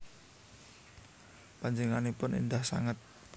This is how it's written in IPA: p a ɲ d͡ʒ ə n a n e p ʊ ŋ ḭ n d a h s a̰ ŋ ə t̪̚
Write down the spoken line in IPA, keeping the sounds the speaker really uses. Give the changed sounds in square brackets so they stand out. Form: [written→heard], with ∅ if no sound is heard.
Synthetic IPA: p a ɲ d͡ʒ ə [n→ŋ] a n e p ʊ [ŋ→n] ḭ n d a h s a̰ ŋ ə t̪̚